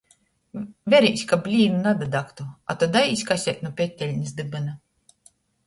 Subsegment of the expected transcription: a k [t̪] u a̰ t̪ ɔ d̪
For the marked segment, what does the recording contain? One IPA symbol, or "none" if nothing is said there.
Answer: t̪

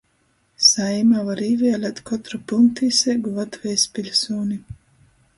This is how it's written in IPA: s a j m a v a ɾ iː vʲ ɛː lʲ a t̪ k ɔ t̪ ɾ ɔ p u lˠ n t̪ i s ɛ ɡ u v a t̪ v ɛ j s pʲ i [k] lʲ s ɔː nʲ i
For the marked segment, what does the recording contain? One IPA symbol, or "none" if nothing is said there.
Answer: none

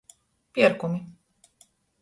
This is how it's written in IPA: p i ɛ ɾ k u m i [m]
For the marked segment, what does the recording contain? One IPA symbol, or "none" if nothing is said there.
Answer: none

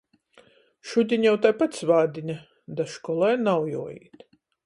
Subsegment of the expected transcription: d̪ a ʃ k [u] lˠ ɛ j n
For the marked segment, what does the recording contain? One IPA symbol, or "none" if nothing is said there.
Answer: ɔ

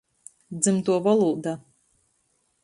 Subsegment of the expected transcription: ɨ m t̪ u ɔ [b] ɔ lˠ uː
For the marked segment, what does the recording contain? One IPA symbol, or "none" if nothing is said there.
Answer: v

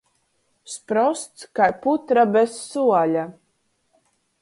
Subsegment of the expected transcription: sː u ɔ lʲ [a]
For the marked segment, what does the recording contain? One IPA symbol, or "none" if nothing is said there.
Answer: a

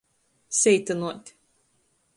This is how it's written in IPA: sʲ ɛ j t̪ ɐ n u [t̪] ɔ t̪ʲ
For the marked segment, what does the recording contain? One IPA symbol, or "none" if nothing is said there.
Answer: none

